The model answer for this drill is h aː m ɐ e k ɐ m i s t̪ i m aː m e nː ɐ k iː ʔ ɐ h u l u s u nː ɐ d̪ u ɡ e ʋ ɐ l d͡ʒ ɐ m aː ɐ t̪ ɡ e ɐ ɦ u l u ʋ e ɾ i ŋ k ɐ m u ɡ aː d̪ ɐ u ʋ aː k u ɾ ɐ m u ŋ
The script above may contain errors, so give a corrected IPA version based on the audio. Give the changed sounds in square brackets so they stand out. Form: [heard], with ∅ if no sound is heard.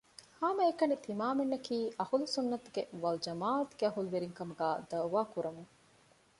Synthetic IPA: h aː m ɐ e k ɐ [n] i [∅] t̪ i m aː m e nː ɐ k iː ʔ ɐ h u l u s u nː ɐ [t̪] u ɡ e ʋ ɐ l d͡ʒ ɐ m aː ɐ t̪ ɡ e ɐ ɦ u l u ʋ e ɾ i ŋ k ɐ m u ɡ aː d̪ ɐ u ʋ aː k u ɾ ɐ m u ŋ